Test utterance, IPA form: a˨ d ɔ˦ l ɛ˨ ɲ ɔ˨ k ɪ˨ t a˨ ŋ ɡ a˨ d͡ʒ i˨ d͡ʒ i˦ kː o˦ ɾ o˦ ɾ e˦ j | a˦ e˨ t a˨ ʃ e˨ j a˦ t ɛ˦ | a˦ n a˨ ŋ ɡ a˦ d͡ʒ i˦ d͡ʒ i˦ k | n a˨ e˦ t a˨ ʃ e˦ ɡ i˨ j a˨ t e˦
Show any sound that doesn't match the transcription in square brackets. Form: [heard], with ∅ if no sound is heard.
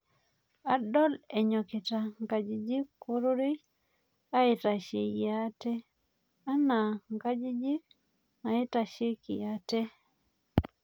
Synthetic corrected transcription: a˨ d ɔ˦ l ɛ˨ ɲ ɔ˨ k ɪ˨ t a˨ ŋ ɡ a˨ d͡ʒ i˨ d͡ʒ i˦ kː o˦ ɾ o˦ ɾ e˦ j | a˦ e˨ t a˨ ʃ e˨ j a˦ t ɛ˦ | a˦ n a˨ ŋ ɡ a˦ d͡ʒ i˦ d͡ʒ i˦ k | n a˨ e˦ t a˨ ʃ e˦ [k] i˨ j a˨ t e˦